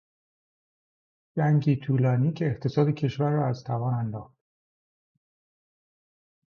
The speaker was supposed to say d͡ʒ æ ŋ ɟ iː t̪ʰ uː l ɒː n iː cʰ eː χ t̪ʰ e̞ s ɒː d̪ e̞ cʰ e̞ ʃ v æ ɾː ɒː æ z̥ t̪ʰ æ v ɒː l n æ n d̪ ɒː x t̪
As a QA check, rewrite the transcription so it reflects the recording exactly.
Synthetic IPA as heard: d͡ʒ æ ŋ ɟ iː t̪ʰ uː l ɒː n iː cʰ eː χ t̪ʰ e̞ s ɒː d̪ e̞ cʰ e̞ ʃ v æ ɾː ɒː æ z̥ t̪ʰ æ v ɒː n æ n d̪ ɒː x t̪